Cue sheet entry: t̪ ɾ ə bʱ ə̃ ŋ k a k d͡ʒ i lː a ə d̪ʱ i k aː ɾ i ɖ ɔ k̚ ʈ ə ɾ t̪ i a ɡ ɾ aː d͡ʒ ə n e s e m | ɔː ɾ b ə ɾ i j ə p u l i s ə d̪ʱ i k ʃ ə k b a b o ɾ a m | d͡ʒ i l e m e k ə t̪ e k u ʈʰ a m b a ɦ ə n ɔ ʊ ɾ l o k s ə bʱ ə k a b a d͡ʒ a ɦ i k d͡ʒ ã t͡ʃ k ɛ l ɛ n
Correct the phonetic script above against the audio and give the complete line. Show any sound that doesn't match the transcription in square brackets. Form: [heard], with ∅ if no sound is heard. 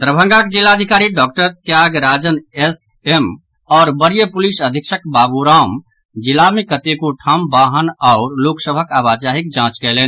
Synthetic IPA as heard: t̪ ɾ ə bʱ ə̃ ŋ [ɡ] a k d͡ʒ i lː a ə d̪ʱ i k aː ɾ i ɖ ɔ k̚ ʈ ə ɾ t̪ [j] a ɡ ɾ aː d͡ʒ ə n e s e m | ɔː ɾ b ə ɾ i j ə p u l i s ə d̪ʱ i k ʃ ə k b a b [u] ɾ a m | d͡ʒ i l [a] m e k ə t̪ e k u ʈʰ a m b a ɦ ə n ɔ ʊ ɾ l o k s ə bʱ ə k a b a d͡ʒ a ɦ i k d͡ʒ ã t͡ʃ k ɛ l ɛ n